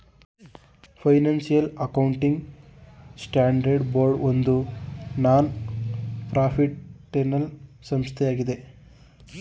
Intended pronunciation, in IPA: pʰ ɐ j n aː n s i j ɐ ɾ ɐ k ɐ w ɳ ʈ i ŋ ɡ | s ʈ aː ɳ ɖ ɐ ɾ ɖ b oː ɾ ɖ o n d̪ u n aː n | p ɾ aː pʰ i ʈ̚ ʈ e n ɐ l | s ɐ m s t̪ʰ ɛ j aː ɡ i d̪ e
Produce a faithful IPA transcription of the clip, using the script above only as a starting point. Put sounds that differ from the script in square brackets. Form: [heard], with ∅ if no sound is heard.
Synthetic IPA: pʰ ɐ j n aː n s i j ɐ [l] ɐ k ɐ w ɳ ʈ i ŋ ɡ | s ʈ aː ɳ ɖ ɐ ɾ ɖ b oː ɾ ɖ o n d̪ u n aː n | p ɾ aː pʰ i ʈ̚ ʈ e n ɐ l | s ɐ m s t̪ʰ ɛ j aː ɡ i d̪ e